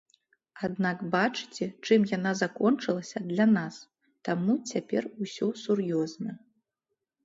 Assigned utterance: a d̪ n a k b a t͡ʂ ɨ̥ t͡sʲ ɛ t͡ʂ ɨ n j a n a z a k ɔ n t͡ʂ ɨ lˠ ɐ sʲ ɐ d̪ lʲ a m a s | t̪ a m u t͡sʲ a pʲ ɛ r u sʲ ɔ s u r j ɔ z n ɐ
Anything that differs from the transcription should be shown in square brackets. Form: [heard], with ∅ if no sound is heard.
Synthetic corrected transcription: a d̪ n a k b a t͡ʂ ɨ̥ t͡sʲ ɛ t͡ʂ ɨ [m] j a n a z a k ɔ n t͡ʂ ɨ lˠ ɐ sʲ ɐ d̪ lʲ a [n] a s | t̪ a m u t͡sʲ a pʲ ɛ r u sʲ ɔ s u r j ɔ z n ɐ

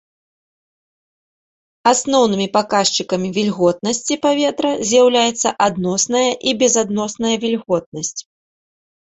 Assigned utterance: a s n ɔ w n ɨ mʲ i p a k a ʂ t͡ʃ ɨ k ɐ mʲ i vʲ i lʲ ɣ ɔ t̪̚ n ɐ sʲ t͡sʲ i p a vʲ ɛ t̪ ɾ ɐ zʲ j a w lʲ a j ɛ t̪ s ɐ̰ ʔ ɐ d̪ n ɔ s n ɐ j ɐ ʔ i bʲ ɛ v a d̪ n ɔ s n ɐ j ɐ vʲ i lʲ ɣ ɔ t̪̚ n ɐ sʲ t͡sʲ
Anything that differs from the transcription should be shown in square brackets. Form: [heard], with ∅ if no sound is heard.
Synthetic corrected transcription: a s n ɔ w n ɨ mʲ i p a k a ʂ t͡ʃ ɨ k ɐ mʲ i vʲ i lʲ ɣ ɔ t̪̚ n ɐ sʲ t͡sʲ i p a vʲ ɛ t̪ ɾ ɐ zʲ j a w lʲ a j ɛ t̪ [sː] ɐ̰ ʔ [a] d̪ n ɔ s n ɐ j ɐ ʔ i bʲ ɛ [z] a d̪ n ɔ s n ɐ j ɐ vʲ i lʲ ɣ ɔ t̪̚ n ɐ sʲ t͡sʲ

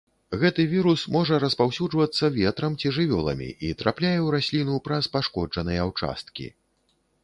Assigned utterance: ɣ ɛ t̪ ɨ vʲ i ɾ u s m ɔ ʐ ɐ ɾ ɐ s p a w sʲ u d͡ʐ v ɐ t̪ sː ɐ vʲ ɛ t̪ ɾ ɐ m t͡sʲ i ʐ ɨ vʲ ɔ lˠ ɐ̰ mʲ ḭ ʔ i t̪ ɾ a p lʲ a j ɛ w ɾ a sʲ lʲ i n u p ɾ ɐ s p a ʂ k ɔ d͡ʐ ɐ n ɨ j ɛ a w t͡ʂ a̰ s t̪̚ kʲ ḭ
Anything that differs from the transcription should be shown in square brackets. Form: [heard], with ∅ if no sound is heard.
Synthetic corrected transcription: ɣ ɛ t̪ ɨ vʲ i ɾ u s m ɔ ʐ ɐ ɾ ɐ s p a w sʲ u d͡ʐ v ɐ t̪ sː ɐ vʲ ɛ t̪ ɾ ɐ m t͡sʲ i ʐ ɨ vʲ ɔ lˠ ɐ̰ mʲ ḭ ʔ i t̪ ɾ a p lʲ a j ɛ w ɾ a sʲ lʲ i n u p ɾ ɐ s p a ʂ k ɔ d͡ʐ ɐ n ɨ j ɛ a w t͡ʂ a̰ s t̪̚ kʲ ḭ

